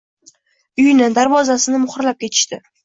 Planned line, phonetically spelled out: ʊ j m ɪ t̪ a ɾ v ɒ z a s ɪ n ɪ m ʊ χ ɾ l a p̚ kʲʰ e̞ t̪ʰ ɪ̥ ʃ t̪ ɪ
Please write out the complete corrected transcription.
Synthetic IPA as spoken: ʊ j n ɪ d̪ a ɾ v ɒ z a s ɪ n ɪ m ʊ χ ɾ l a p̚ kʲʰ e̞ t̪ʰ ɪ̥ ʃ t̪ ɪ